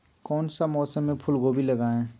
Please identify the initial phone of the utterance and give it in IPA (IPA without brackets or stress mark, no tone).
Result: k